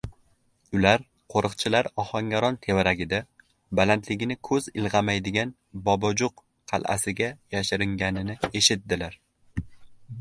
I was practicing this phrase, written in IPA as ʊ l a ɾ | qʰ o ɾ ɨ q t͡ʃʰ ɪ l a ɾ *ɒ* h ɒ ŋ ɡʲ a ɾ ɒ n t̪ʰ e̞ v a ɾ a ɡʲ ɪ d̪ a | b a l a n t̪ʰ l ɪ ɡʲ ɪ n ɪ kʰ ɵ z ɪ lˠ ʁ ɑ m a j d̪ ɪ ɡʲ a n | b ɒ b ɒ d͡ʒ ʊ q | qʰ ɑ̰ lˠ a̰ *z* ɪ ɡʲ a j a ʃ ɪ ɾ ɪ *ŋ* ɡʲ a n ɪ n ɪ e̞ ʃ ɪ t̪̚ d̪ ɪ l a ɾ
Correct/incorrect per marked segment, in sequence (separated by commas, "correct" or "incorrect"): correct, incorrect, correct